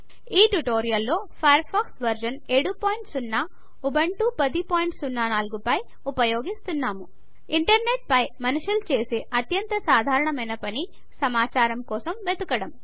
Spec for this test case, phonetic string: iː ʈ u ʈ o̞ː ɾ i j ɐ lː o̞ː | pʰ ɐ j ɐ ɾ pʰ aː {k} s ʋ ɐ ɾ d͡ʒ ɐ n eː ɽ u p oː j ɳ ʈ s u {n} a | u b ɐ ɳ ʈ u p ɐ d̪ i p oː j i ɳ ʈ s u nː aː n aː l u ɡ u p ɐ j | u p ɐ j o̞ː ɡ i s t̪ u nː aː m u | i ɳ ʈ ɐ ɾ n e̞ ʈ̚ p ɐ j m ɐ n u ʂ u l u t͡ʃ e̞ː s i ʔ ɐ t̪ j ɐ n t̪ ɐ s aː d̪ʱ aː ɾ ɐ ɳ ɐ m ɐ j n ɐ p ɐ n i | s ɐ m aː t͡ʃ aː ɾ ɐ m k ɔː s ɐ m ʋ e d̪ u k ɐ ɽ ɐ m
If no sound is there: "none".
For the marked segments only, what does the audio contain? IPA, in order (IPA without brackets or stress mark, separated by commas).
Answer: k, nː